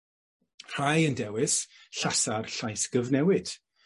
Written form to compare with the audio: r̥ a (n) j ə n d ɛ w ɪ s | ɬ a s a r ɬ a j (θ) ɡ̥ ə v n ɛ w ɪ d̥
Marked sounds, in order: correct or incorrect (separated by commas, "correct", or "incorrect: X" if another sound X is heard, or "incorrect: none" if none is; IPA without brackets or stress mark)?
incorrect: none, incorrect: s